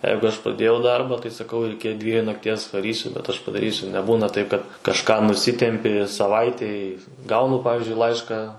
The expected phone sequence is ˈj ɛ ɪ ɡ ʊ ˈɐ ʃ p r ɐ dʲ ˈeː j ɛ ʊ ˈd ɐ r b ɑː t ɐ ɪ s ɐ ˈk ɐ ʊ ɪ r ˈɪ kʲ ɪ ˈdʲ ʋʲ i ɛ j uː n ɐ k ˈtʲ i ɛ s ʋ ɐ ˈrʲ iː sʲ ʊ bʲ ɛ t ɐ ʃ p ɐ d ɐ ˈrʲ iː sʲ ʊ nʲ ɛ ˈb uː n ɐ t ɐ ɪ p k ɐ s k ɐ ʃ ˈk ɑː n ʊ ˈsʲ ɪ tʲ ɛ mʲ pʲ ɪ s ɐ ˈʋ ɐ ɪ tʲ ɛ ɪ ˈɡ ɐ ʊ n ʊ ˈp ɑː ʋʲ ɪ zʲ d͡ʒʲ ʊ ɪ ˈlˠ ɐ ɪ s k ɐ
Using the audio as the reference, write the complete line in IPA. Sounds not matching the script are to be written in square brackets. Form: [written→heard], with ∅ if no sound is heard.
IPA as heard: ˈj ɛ ɪ ɡ ʊ ˈɐ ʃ p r ɐ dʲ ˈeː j ɛ ʊ ˈd ɐ r b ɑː t ɐ ɪ s ɐ ˈk ɐ ʊ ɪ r ˈɪ kʲ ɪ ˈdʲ ʋʲ i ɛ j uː n ɐ k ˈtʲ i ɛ s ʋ ɐ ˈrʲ iː sʲ ʊ bʲ ɛ t ɐ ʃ p ɐ d ɐ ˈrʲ iː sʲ ʊ nʲ ɛ ˈb uː n ɐ t ɐ ɪ p k ɐ [s→t] k ɐ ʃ ˈk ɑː n ʊ ˈsʲ ɪ tʲ ɛ mʲ pʲ ɪ s ɐ ˈʋ ɐ ɪ tʲ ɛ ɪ ˈɡ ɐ ʊ n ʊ ˈp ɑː ʋʲ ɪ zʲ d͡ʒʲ ʊ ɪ ˈlˠ ɐ ɪ [s→ʃ] k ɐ